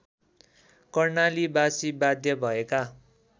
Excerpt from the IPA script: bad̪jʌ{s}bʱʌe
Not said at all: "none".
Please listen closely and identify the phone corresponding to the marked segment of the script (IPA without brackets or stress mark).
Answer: none